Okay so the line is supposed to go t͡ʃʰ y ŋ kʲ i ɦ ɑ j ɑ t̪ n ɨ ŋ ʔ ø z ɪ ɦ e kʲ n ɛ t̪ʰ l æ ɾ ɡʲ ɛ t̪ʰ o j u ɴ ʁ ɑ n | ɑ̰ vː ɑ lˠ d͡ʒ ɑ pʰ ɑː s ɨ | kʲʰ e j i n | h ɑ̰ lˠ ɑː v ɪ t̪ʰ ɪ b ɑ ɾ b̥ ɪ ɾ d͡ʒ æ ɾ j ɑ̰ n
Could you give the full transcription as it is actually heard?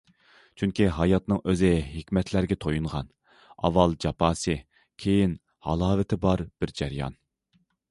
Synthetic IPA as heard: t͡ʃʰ y ŋ kʲ i ɦ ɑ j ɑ t̪ n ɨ ŋ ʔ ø z ɪ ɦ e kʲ m ɛ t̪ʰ l æ ɾ ɡʲ ɛ t̪ʰ o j u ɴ ʁ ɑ n | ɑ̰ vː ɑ lˠ d͡ʒ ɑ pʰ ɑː s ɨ | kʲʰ e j i n | h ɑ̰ lˠ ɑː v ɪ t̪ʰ ɪ b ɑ ɾ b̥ ɪ ɾ d͡ʒ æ ɾ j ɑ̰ n